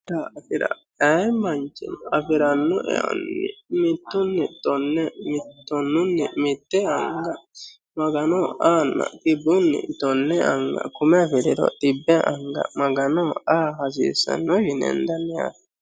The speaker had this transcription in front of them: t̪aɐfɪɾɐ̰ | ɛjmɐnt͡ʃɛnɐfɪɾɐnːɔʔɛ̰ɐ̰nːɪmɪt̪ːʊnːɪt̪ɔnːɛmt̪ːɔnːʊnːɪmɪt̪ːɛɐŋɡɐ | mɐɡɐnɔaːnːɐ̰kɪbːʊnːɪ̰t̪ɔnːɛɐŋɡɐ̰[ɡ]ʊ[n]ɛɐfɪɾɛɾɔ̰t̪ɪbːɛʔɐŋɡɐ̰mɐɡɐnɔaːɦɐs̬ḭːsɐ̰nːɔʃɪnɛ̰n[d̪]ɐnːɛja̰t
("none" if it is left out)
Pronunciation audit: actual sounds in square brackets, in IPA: k, m, d̪

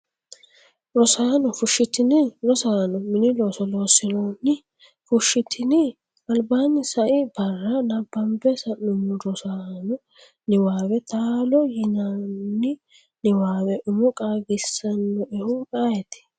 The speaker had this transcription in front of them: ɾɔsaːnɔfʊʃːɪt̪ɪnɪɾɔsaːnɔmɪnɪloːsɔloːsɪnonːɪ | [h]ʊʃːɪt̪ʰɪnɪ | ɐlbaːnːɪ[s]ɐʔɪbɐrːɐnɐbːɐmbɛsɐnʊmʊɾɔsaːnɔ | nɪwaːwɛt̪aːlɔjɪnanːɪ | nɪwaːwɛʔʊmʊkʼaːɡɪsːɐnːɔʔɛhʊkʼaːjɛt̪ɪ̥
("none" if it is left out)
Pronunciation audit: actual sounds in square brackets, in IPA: f, s

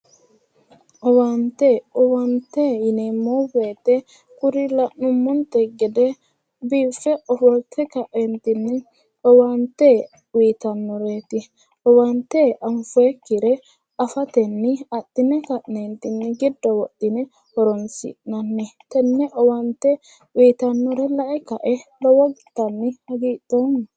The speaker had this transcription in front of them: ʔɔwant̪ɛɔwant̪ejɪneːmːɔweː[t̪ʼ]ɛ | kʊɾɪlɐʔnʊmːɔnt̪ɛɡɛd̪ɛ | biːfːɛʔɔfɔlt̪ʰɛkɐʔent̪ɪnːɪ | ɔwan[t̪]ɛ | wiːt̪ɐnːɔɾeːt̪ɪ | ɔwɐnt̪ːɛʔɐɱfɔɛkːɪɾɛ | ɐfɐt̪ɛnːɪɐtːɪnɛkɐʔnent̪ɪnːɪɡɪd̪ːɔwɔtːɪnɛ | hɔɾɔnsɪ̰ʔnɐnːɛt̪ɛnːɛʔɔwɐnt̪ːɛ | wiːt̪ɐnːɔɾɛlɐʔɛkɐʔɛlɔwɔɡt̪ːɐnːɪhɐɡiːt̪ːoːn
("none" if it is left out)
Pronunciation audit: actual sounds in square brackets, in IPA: t̪, t̪

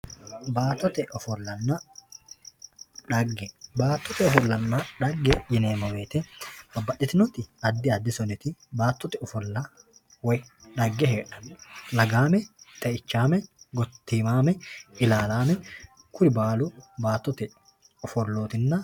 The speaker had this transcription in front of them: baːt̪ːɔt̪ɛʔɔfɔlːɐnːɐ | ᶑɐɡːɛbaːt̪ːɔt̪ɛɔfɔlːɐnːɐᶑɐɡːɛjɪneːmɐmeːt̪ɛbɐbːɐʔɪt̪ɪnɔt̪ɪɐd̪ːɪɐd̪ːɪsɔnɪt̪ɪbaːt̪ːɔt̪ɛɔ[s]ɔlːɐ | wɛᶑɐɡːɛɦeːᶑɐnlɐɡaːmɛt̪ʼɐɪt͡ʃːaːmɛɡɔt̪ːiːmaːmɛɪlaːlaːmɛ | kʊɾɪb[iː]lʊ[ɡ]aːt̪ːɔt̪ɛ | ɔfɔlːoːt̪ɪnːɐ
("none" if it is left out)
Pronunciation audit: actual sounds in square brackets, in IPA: f, aː, b

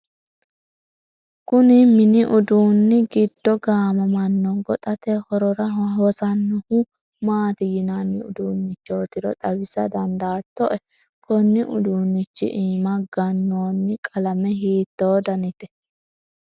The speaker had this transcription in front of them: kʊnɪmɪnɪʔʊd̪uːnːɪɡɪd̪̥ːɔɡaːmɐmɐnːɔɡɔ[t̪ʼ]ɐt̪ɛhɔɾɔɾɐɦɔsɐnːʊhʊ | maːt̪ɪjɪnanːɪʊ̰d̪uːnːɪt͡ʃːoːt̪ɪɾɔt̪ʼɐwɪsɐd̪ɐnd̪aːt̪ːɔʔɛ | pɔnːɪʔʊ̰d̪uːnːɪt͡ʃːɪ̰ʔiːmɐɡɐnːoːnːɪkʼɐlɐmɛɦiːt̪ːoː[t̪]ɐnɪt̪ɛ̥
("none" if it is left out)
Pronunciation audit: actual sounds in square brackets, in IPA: t̪ʼ, d̪

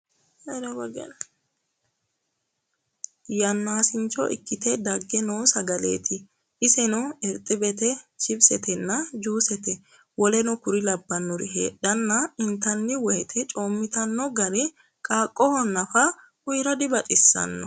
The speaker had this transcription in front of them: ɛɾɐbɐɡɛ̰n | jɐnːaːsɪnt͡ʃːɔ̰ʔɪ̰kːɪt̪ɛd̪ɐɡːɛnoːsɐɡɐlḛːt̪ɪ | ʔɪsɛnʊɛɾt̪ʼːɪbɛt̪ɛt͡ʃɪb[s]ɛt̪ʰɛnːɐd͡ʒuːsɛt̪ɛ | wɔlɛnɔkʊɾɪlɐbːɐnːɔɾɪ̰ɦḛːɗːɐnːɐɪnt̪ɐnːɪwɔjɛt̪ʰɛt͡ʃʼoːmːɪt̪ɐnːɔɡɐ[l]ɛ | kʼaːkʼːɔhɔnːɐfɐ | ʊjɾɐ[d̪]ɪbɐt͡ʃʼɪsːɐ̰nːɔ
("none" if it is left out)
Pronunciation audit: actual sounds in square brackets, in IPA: s, ɾ, d̪

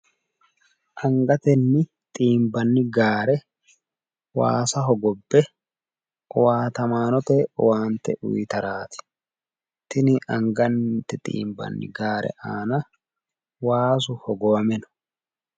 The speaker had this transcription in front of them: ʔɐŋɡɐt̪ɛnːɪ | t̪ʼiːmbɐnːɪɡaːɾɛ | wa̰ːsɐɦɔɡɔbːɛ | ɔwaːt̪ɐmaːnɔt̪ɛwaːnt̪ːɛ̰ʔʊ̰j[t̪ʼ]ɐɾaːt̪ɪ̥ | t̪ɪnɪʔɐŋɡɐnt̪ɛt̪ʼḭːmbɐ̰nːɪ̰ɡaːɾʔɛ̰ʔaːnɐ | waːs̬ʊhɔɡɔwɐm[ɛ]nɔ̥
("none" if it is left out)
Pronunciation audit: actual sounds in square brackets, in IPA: t̪, ɛ

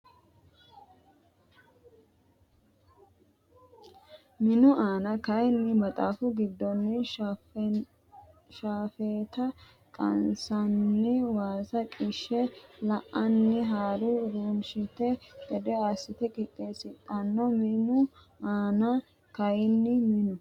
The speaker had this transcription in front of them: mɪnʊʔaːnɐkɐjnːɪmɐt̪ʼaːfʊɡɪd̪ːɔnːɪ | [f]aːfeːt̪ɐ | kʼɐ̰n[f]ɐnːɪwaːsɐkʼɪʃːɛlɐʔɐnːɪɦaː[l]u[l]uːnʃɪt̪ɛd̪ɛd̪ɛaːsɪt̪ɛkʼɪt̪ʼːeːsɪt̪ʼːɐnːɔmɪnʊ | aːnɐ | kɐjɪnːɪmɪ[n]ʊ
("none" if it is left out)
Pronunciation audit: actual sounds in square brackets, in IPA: ʃ, s, ɾ, ɾ, n

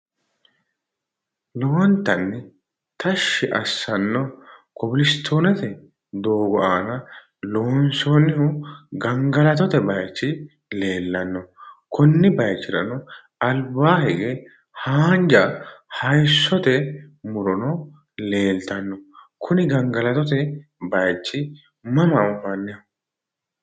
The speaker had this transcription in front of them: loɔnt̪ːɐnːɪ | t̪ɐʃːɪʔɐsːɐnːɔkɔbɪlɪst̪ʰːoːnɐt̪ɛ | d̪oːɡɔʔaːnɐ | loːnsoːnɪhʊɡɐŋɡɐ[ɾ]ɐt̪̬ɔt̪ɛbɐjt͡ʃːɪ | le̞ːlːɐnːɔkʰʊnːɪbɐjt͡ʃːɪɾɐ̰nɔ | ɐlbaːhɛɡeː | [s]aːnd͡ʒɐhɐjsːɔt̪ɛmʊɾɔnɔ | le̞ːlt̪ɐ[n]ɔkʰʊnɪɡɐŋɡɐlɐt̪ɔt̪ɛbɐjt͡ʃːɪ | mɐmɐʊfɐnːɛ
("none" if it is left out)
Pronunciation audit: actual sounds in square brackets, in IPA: l, h, nː

